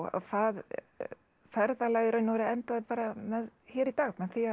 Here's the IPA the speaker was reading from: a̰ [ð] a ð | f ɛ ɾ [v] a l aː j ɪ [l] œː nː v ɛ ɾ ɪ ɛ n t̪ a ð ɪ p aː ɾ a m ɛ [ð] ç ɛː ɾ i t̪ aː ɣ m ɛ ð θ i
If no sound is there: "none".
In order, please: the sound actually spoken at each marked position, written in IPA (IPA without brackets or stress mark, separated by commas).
θ, ð, ɾ, ð